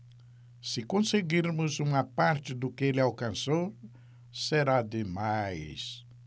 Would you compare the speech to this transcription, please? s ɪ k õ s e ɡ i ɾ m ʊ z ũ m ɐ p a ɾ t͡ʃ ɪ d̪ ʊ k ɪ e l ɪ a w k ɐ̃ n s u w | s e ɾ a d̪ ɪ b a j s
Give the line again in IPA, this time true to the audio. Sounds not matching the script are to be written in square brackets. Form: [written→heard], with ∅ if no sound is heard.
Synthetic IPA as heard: s ɪ k õ s e ɡ i ɾ m ʊ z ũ m ɐ p a ɾ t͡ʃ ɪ d̪ ʊ k ɪ e l ɪ a w k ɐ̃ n s [u→o] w | s e ɾ a d̪ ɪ [b→m] a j s